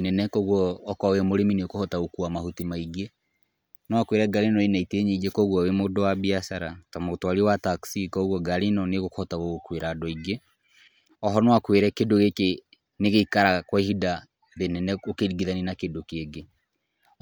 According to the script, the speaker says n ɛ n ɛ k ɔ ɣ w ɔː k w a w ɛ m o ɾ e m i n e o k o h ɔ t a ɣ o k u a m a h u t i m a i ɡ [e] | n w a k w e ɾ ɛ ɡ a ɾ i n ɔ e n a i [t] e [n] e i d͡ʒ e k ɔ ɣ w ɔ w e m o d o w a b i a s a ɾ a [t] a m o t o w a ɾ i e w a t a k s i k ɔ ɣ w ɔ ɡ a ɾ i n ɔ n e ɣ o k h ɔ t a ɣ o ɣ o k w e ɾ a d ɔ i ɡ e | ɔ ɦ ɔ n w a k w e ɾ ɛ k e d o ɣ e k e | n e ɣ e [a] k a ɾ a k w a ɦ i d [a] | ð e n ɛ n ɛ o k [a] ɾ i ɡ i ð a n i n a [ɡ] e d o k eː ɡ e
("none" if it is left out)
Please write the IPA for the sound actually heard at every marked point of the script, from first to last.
e, t, ɲ, t, i, a, e, k

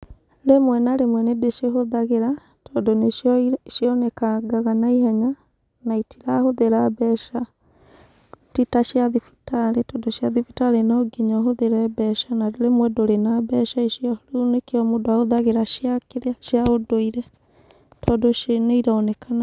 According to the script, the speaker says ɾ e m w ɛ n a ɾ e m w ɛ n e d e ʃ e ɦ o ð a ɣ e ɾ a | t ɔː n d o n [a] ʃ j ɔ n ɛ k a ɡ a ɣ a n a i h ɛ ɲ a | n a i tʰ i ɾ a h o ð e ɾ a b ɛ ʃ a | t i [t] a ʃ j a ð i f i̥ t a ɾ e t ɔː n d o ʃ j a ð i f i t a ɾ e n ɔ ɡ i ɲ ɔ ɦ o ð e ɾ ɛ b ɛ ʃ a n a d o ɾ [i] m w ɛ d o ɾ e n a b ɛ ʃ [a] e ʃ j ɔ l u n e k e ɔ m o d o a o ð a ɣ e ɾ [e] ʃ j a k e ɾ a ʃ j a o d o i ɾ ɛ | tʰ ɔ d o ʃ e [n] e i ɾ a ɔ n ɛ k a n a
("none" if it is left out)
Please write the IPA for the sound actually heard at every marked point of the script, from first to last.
e, t, e, a, a, n

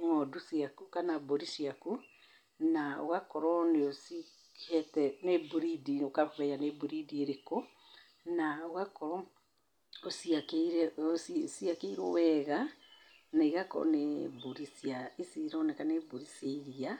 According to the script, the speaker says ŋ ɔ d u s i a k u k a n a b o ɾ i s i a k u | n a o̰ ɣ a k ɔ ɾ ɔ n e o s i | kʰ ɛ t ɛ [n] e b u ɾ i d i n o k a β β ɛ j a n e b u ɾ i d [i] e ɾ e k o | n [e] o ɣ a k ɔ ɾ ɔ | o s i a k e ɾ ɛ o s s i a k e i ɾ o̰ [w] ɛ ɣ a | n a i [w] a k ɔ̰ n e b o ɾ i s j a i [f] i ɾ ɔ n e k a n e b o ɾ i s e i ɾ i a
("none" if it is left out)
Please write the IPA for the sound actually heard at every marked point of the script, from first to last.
n, i, a, w, ɣ, s

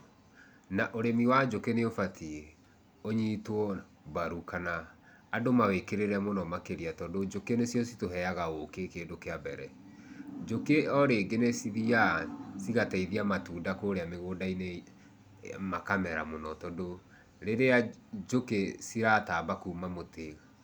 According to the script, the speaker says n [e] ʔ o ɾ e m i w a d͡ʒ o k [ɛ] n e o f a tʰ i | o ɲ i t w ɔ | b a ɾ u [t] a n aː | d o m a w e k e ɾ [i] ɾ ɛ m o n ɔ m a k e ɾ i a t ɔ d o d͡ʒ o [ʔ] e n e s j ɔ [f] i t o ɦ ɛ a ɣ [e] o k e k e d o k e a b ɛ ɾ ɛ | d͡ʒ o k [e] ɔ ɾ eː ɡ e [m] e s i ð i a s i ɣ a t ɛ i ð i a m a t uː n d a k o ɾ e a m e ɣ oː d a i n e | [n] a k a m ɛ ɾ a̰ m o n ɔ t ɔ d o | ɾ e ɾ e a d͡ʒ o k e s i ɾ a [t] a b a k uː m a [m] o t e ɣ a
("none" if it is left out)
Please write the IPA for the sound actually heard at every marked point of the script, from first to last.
a, e, k, e, k, s, a, e, n, m, t, m

